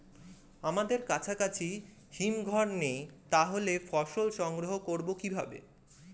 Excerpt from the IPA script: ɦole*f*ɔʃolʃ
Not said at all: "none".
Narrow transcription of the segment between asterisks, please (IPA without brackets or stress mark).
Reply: f